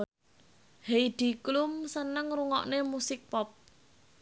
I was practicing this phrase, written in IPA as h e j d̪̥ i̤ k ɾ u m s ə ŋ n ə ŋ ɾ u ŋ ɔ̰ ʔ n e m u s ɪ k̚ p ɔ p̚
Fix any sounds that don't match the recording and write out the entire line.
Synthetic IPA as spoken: h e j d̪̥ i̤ k l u m s ə n ə ŋ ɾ u ŋ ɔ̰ ʔ n e m u s ɪ k̚ p ɔ p̚